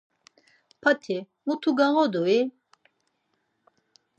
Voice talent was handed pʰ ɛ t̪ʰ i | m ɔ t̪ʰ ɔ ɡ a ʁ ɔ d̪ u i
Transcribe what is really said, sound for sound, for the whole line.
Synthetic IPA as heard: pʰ a t̪ʰ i | m u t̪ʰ u ɡ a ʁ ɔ d̪ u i